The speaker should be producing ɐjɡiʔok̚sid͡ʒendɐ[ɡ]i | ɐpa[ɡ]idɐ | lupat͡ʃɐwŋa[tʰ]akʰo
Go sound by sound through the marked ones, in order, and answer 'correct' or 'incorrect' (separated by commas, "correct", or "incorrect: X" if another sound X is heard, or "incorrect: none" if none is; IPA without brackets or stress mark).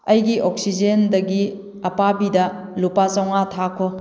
correct, incorrect: b, correct